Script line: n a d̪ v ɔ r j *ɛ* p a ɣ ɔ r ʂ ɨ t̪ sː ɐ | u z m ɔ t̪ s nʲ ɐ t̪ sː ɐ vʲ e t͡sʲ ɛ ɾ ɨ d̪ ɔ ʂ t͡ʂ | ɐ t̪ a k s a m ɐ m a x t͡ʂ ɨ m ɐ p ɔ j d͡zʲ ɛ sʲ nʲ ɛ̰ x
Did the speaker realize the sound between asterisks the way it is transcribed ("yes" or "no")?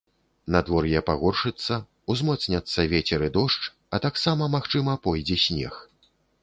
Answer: yes